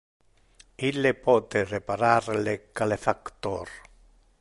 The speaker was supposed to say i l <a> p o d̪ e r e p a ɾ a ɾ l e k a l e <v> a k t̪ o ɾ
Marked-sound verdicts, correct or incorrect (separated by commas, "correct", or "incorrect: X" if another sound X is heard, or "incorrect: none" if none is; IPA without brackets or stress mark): incorrect: e, incorrect: f